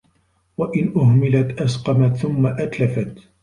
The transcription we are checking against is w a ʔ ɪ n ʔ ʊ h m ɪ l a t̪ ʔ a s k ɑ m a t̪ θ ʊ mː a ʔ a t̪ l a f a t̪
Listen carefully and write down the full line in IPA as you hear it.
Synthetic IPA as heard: w a ʔ ɪ n ʔ ʊ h m ɪ l a t̪ ʔ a s q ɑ m a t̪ θ ʊ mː a ʔ a t̪ l a f a t̪